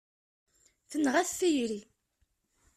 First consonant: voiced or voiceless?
voiceless